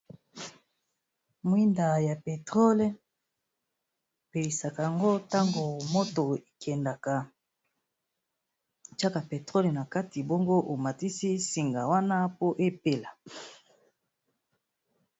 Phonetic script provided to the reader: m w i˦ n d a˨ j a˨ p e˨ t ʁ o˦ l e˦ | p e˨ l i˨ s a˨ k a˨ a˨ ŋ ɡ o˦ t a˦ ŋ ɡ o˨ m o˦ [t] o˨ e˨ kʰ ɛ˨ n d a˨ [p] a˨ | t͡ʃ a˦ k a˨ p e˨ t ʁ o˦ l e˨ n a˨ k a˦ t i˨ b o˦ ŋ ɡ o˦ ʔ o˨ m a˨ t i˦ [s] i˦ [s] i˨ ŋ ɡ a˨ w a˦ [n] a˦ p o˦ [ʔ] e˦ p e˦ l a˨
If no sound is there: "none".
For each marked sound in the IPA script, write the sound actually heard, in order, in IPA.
t, k, s, s, n, ʔ

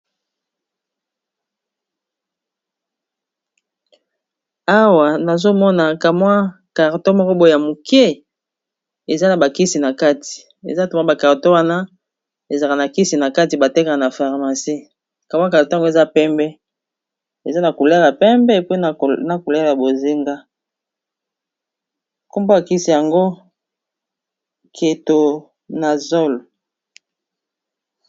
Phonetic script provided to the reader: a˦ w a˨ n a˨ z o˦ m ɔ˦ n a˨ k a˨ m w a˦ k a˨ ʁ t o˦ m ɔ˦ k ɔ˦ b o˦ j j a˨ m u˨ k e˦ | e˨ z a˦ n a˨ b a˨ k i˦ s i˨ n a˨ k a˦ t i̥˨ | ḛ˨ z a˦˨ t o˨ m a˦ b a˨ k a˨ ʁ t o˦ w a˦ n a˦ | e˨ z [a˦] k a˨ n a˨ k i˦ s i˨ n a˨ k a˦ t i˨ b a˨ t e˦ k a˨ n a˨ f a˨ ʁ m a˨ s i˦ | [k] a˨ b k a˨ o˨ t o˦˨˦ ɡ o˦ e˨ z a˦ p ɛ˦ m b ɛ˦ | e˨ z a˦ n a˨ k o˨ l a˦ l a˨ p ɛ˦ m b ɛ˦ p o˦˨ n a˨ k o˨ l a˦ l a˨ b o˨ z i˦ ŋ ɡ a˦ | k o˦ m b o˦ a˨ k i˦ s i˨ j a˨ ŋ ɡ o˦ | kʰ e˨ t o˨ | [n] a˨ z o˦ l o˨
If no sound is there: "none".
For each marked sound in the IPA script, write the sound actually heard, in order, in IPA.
a˨, k, n

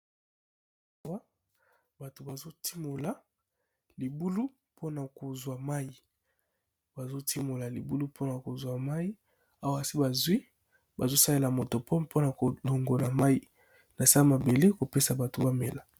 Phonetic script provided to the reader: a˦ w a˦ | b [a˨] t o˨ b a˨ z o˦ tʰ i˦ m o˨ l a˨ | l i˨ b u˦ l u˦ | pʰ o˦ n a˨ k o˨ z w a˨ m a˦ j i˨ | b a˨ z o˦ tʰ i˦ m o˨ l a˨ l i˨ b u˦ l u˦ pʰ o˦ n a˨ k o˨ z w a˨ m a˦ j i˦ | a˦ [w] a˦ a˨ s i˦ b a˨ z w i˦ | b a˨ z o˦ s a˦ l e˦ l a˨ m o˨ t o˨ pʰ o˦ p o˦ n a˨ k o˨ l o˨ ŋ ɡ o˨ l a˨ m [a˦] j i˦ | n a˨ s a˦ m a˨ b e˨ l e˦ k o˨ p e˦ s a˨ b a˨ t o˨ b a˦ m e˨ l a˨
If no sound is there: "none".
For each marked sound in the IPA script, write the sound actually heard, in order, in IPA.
a˨, w, a˦

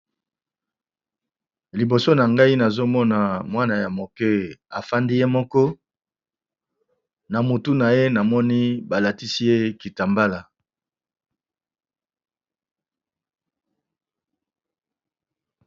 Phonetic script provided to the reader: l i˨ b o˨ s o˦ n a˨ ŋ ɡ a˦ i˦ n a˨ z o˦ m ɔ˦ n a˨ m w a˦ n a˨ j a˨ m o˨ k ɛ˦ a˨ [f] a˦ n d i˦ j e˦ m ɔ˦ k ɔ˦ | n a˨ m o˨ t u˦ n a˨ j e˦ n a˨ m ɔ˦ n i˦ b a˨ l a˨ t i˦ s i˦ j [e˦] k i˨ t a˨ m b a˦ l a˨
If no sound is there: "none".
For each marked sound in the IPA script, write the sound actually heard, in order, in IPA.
f, e˦

